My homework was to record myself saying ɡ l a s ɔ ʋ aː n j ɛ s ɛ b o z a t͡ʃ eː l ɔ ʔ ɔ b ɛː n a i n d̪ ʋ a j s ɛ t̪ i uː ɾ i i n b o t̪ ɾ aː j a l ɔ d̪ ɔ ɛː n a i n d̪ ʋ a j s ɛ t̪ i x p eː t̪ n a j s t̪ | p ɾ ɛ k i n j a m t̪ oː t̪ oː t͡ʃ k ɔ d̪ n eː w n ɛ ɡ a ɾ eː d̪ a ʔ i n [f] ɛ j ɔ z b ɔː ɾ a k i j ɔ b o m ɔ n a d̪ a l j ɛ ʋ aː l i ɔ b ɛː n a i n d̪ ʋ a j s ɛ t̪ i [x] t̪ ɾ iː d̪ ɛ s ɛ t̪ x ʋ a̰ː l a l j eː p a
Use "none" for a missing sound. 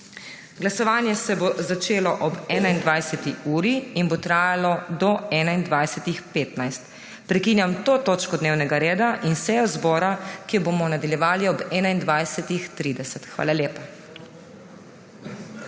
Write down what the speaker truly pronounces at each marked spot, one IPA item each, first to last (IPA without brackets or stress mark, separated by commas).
s, x